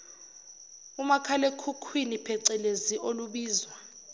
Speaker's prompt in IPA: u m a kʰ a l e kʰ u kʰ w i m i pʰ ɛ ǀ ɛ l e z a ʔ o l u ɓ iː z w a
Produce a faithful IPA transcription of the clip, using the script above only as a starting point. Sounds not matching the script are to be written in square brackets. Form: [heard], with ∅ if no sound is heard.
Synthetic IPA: u m a kʰ a l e kʰ u kʰ w i [n] i pʰ ɛ ǀ ɛ l e z [i] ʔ o l u ɓ iː z w a